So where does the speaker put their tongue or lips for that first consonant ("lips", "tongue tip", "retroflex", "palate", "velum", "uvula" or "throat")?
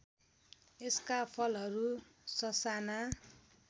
tongue tip